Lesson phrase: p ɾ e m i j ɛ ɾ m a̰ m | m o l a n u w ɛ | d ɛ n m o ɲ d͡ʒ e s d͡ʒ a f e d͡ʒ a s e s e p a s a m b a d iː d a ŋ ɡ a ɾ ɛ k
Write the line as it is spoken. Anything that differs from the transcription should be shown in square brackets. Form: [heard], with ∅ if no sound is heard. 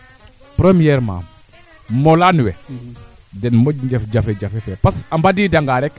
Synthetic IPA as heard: p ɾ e m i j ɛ ɾ m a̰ m | m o l a n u w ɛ | d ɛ n m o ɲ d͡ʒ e [f] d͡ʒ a f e d͡ʒ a [f] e [f] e p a s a m b a d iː d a ŋ ɡ a ɾ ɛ k